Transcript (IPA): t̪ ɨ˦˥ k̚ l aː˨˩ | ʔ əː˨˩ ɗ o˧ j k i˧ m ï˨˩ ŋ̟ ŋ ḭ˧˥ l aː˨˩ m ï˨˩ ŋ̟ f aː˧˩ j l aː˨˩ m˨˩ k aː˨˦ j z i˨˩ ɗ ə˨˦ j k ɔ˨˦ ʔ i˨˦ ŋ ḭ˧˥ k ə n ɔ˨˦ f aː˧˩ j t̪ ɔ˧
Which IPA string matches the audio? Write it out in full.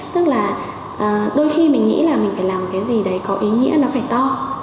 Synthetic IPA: t̪ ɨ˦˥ k̚ l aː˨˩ | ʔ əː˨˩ ɗ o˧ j x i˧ m ï˨˩ ŋ̟ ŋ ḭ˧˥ l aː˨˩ m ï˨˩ ŋ̟ f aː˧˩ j l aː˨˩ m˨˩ k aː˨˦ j z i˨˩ ɗ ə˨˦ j k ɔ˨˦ ʔ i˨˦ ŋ ḭ˧˥ ə n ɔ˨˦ f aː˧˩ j t̪ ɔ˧

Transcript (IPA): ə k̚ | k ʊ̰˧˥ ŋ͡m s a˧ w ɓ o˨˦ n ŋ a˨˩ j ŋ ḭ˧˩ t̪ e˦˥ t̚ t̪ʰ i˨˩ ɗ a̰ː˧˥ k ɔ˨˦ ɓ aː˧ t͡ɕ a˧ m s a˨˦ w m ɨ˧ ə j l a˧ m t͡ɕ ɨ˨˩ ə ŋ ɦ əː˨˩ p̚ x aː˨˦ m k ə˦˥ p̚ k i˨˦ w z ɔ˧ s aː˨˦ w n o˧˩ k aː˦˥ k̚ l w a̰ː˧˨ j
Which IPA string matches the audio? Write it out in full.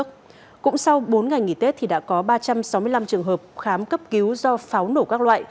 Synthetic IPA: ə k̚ | k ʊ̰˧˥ ŋ͡m s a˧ w ɓ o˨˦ n ŋ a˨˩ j ŋ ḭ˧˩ t̪ e˦˥ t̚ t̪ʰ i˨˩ ɗ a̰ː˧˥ k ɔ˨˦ ɓ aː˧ t͡ɕ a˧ m s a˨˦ w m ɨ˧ ə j l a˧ m t͡ɕ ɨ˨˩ ə ŋ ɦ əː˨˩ p̚ x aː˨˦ m k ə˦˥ p̚ k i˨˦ w z ɔ˧ f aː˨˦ w n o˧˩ k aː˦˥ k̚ l w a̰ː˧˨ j

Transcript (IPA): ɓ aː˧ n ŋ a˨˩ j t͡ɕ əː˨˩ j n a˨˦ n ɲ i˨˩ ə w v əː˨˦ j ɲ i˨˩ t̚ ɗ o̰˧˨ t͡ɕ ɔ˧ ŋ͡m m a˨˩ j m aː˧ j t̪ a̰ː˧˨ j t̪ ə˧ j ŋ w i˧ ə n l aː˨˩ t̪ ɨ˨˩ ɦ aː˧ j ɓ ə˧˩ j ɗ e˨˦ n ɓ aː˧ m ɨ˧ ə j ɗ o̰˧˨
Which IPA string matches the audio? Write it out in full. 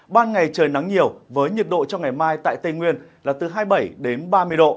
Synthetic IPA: ɓ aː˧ n ŋ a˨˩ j t͡ɕ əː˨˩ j n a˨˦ ŋ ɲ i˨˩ ə w v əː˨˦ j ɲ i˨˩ t̚ ɗ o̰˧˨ t͡ɕ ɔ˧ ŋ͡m ŋ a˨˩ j m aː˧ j t̪ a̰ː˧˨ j t̪ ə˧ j ŋ w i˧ ə n l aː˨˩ t̪ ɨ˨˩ ɦ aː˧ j ɓ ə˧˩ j ɗ e˨˦ n ɓ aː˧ m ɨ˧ ə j ɗ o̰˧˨

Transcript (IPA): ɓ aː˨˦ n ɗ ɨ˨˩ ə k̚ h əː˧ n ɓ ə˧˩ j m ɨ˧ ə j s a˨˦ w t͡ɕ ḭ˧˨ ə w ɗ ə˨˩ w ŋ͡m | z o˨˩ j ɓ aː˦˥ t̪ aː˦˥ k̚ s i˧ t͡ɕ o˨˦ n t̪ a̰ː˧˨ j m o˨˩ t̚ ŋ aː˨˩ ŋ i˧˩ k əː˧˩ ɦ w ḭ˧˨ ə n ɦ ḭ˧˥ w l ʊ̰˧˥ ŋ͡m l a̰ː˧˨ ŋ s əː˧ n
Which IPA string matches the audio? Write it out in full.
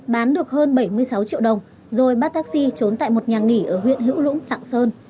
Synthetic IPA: ɓ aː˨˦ n ɗ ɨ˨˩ ə k̚ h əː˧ n ɓ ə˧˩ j m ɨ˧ ə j s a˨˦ w t͡ɕ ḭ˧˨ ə w ɗ ə˨˩ w ŋ͡m | z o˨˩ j ɓ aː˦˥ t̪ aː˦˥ k̚ s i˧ t͡ɕ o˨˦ n t̪ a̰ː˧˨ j m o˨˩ t̚ ɲ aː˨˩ ŋ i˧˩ ʔ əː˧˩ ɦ w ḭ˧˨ ə n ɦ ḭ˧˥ w l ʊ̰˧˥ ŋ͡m l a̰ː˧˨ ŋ s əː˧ n

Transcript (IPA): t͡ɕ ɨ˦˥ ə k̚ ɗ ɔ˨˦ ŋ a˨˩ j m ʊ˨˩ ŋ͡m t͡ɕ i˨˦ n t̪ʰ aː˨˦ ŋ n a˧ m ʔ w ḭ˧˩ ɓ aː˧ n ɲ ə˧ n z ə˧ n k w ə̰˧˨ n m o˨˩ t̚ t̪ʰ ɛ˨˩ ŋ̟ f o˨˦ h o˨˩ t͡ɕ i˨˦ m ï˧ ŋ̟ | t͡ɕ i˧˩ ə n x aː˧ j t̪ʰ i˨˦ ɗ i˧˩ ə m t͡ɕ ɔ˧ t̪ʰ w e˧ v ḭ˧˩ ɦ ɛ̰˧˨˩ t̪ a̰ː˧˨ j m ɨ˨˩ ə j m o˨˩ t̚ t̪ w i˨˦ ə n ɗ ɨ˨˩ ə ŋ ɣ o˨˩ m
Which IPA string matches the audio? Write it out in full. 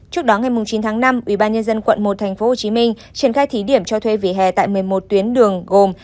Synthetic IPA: t͡ɕ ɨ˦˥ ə k̚ ɗ ɔ˨˦ ŋ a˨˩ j m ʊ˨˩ ŋ͡m t͡ɕ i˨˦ n t̪ʰ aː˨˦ ŋ n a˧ m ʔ w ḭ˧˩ ɓ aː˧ n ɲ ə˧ n z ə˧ n k w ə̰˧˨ n m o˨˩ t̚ t̪ʰ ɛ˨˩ ŋ̟ f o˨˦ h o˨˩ t͡ɕ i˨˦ m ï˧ ŋ̟ | t͡ɕ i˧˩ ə n x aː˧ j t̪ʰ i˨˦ ɗ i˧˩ ə m t͡ɕ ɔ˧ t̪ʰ w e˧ v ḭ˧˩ ɦ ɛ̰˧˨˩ t̪ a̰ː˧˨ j m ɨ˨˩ ə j m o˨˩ t̚ t̪ w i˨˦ ə n ɗ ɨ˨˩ ə ŋ ɣ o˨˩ m

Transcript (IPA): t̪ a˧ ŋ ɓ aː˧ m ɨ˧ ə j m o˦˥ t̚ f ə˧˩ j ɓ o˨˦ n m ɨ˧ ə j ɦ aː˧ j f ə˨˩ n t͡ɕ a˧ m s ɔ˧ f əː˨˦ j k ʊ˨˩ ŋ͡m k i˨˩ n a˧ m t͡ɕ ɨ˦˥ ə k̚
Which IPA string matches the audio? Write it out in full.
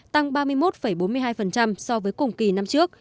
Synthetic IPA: t̪ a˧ ŋ ɓ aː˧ m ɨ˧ ə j m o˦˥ t̚ f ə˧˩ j ɓ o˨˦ n m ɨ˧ ə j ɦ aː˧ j f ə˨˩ n t͡ɕ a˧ m s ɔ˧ v əː˨˦ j k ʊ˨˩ ŋ͡m k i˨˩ n a˧ m t͡ɕ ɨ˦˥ ə k̚

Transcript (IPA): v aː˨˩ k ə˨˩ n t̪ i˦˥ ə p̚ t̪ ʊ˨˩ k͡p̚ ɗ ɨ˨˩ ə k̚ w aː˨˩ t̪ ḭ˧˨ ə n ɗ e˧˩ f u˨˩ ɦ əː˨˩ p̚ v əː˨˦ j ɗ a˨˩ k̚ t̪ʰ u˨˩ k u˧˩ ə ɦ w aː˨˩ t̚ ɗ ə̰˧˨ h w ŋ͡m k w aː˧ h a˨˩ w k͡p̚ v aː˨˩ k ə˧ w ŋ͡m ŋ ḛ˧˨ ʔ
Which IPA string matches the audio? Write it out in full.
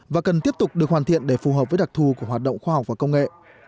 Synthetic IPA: v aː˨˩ k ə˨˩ n t̪ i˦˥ ə p̚ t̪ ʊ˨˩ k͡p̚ ɗ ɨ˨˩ ə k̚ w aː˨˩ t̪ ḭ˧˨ ə n ɗ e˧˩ f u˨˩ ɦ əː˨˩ p̚ v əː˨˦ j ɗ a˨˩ k̚ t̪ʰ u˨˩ k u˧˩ ə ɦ w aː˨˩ t̚ ɗ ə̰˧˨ w ŋ͡m x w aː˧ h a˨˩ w k͡p̚ v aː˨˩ k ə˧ w ŋ͡m ŋ ḛ˧˨ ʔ

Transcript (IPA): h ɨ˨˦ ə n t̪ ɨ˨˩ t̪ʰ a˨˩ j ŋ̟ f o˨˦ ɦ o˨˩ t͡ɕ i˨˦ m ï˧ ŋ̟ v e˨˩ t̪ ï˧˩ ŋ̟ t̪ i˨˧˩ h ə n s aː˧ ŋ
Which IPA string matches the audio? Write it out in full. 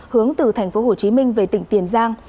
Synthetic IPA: h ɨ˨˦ ə ŋ t̪ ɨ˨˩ t̪ʰ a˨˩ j ŋ̟ f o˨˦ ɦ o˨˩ t͡ɕ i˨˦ m ï˧ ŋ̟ v e˨˩ t̪ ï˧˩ ŋ̟ t̪ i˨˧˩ ə n z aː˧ ŋ

